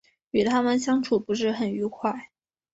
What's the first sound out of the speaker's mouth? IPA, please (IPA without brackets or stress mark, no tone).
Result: y